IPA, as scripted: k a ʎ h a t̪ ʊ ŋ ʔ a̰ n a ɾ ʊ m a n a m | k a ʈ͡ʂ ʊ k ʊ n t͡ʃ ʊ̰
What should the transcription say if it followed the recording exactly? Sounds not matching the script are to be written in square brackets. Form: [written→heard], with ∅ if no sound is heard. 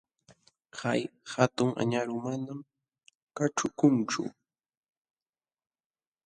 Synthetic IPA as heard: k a [ʎ→j] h a t̪ ʊ ŋ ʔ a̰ [n→ɲ] a ɾ ʊ m a n a m | k a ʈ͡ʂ ʊ k ʊ n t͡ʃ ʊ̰